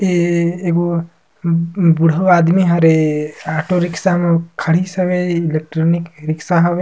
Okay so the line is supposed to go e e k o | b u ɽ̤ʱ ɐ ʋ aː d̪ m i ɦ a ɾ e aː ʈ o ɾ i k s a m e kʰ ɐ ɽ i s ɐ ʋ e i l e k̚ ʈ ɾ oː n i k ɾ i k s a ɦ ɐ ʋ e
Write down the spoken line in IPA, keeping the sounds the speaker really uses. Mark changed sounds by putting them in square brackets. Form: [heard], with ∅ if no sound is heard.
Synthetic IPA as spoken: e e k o | b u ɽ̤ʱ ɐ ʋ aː d̪ m i ɦ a ɾ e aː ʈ o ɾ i k s a m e kʰ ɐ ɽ i s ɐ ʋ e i l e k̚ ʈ ɾ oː n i k ɾ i k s a ɦ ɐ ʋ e